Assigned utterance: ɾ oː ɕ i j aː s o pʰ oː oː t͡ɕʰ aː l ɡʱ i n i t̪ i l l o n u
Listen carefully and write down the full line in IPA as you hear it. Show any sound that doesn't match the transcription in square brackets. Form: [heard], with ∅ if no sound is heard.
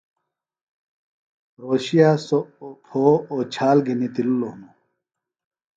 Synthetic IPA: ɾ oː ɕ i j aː s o pʰ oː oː t͡ɕʰ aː l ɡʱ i n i t̪ i l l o n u